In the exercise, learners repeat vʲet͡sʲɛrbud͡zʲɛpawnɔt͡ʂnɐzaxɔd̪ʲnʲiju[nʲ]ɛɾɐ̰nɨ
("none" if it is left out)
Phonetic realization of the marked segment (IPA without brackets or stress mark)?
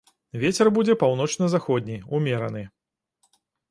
mʲ